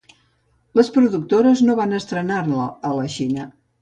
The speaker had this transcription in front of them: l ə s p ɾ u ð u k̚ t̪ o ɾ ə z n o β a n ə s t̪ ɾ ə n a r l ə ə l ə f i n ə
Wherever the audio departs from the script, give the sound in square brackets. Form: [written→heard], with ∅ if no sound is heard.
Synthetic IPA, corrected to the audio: l ə s p ɾ u ð u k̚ t̪ o ɾ ə z n o β a n ə s t̪ ɾ ə n a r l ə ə l ə [f→ʃ] i n ə